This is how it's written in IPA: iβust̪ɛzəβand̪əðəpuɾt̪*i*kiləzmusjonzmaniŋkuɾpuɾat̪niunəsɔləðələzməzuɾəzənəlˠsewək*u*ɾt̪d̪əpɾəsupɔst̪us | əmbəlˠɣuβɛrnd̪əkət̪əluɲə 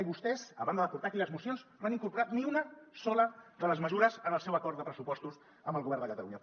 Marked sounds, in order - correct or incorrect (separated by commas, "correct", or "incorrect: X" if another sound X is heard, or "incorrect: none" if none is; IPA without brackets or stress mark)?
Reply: incorrect: a, incorrect: ɔ